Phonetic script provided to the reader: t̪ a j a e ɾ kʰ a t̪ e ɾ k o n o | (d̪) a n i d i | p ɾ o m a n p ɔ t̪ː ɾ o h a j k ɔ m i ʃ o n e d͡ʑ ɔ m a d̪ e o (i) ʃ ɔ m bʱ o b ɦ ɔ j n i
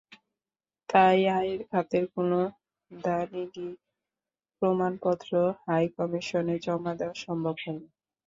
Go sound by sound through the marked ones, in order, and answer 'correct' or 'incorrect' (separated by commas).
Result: correct, incorrect